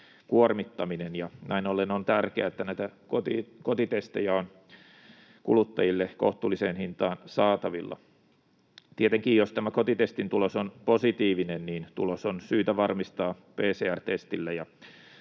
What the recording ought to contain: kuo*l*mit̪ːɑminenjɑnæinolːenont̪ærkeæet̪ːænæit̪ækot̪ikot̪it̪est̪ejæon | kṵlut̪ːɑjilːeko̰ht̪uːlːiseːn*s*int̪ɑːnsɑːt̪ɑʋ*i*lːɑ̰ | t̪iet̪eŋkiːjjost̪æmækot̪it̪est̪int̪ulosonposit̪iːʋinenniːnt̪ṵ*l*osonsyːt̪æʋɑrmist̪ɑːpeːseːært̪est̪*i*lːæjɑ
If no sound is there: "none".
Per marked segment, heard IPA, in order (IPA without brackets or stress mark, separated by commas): r, h, i, l, i